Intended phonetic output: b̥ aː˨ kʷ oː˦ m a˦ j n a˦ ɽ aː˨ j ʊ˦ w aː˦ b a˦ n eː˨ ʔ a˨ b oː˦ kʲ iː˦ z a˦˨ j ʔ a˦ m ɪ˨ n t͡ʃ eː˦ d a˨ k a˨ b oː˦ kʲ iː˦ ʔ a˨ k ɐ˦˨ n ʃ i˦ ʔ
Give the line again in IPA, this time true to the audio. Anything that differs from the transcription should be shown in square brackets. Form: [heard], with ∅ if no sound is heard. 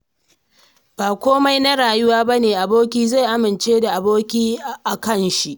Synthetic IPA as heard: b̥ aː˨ kʷ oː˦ m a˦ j n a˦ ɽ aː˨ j ʊ˦ w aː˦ b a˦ n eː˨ ʔ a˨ b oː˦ kʲ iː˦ z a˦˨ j ʔ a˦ m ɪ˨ n t͡ʃ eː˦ d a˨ [ʔ] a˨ b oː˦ kʲ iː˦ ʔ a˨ k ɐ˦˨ n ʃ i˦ ʔ